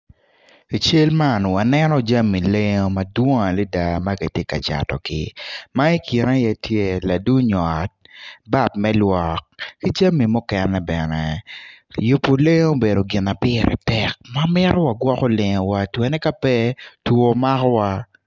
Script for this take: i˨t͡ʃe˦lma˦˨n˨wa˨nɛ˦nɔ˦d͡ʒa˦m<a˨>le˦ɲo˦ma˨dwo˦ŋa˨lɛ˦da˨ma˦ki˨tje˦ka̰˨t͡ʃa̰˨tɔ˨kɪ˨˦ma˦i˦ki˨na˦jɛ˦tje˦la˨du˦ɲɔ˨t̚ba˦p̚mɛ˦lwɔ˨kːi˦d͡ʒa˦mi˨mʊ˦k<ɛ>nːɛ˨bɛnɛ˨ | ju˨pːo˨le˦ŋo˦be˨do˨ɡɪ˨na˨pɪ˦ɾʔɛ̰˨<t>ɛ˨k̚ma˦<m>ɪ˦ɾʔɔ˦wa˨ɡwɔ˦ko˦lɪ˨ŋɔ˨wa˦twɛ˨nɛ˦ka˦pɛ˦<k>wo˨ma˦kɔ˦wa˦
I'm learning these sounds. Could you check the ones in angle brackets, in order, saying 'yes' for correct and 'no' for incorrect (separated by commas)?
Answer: no, yes, yes, yes, no